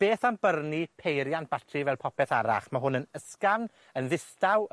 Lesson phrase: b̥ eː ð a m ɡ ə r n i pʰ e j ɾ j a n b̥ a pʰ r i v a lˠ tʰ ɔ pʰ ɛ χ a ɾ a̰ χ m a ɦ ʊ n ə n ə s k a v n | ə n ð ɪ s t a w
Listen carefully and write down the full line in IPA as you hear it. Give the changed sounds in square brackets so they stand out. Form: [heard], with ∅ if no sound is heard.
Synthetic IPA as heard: b̥ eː [θ] a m [b] ə r n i pʰ e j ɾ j a n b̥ a [tʰ] r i v [ɛ] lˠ [pʰ] ɔ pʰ ɛ [θ] a ɾ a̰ χ m a ɦ ʊ n ə n ə s k a v n | ə n ð ɪ s t a w